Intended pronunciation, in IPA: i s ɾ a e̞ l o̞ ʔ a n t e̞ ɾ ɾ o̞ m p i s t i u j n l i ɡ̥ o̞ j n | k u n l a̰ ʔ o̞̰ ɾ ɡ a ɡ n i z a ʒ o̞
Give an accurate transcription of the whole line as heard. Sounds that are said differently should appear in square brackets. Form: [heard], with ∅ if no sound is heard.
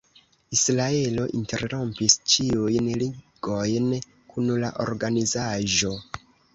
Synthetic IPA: i s ɾ a e̞ l o̞ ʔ [i] n t e̞ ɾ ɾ o̞ m p i s [t͡ʃ] i u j n l i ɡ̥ o̞ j n | k u n l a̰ ʔ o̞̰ ɾ ɡ a [∅] n i z a ʒ o̞